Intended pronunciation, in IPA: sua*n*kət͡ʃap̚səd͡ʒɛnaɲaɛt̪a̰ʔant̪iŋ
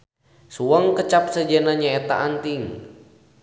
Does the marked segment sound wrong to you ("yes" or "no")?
yes